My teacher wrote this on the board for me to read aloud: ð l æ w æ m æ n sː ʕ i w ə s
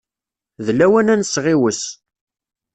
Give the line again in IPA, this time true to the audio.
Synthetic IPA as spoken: ð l æ w æ n æ n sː ʁ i w ə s